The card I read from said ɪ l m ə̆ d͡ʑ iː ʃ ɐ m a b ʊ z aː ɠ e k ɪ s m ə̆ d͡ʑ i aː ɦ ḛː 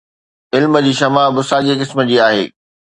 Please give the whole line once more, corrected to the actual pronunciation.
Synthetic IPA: ɪ l m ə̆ d͡ʑ iː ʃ ɐ m a b ʊ s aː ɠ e k ɪ s m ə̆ d͡ʑ iː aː ɦ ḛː